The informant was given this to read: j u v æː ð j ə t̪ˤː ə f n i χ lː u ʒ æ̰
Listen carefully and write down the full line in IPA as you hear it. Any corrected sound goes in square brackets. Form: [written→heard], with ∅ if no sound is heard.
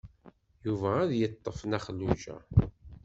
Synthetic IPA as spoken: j u v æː ð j ə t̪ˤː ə f n [i→æ] χ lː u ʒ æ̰